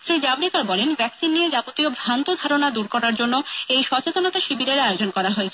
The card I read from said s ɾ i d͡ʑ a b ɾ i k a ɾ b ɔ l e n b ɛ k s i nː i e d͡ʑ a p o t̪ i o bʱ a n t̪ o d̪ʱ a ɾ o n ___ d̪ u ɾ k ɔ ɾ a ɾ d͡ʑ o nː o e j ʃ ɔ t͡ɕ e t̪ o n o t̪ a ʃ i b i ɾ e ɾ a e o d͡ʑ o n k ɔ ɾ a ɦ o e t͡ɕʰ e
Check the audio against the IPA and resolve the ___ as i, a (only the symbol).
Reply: a